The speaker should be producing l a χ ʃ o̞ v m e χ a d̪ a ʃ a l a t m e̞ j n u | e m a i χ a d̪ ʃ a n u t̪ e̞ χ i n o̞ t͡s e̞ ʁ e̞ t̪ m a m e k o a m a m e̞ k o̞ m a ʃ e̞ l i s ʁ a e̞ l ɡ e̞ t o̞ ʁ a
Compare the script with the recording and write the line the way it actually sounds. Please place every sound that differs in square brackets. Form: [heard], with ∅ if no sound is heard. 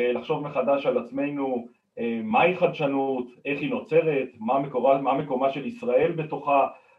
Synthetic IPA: l a χ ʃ o̞ v m e χ a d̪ a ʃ a l a [t͡s] m e̞ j n u | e m a i χ a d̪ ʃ a n u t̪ e̞ χ i n o̞ t͡s e̞ ʁ e̞ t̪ m a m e k o a m a m e̞ k o̞ m a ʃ e̞ l i s ʁ a e̞ l [b] e̞ t o̞ [χ] a